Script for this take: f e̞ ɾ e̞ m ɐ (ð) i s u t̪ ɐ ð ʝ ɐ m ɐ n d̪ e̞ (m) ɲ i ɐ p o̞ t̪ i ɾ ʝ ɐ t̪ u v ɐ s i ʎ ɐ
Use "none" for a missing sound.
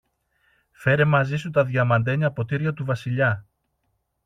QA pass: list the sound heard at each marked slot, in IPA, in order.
z, none

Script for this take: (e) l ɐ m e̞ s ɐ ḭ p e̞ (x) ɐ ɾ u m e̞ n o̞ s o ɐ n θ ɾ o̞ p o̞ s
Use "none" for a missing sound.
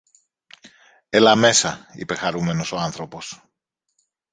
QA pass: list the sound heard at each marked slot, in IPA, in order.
e, x

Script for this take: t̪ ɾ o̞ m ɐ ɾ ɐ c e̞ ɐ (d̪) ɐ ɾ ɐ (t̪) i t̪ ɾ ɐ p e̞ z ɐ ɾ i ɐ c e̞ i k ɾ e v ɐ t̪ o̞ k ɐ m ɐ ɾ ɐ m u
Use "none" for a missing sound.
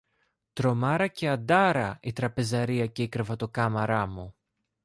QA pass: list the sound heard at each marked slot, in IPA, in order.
d̪, none

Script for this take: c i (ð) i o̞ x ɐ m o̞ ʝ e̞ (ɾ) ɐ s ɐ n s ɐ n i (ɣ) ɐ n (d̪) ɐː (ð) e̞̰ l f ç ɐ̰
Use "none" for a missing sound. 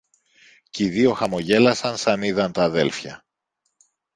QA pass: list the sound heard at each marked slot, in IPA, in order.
ð, l, ð, t̪, ð

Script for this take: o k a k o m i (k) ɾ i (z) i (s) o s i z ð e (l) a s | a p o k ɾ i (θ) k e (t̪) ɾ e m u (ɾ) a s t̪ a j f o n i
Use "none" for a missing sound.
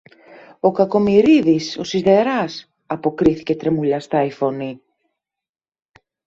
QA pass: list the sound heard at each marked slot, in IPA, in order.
none, ð, s, ɾ, θ, t̪, ʎ

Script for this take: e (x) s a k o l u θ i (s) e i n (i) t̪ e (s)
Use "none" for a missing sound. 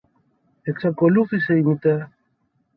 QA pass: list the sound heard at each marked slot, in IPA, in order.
k, s, i, none

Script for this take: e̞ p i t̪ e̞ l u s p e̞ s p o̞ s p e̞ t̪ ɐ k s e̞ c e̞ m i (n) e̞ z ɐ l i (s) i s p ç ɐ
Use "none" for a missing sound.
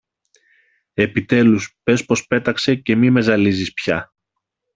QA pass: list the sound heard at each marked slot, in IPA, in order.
m, z

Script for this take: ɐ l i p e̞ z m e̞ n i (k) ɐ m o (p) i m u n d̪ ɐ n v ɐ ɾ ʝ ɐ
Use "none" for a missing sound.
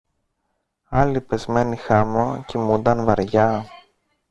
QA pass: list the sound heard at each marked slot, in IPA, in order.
x, c

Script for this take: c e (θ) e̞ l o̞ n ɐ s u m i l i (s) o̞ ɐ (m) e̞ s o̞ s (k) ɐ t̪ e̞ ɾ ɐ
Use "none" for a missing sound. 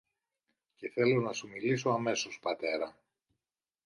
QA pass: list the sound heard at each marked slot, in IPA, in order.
θ, s, m, p

